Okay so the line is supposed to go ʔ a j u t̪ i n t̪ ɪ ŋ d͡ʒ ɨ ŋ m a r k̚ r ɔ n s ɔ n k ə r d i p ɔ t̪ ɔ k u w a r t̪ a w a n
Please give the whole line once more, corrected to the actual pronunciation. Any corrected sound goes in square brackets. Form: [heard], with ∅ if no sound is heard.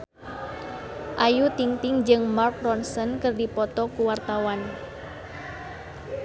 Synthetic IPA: ʔ a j u t̪ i [ŋ] t̪ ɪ ŋ d͡ʒ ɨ ŋ m a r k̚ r ɔ n s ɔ n k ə r d i p ɔ t̪ ɔ k u w a r t̪ a w a n